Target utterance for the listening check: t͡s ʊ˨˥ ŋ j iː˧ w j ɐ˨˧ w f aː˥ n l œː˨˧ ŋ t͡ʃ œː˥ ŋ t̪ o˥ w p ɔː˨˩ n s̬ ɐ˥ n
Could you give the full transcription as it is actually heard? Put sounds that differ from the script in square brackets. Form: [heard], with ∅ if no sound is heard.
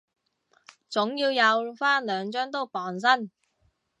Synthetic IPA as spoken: t͡s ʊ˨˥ ŋ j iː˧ w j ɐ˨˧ w f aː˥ n l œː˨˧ ŋ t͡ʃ œː˥ ŋ t̪ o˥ w p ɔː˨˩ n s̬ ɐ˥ n